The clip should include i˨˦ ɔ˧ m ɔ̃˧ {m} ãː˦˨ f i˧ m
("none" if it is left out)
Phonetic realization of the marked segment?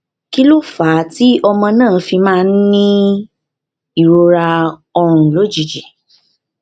n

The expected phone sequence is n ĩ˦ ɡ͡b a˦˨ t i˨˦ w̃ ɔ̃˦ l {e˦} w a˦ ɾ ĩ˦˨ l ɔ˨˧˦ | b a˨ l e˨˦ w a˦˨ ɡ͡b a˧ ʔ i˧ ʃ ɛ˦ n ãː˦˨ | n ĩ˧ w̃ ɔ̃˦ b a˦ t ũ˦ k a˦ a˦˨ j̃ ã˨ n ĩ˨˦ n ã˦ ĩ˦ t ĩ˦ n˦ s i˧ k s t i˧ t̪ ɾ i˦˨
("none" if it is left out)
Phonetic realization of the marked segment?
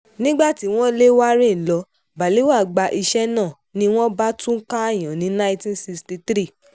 e˦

